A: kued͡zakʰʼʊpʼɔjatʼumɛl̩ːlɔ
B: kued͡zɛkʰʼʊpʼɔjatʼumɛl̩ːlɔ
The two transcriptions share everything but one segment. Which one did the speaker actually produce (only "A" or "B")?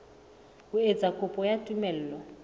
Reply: A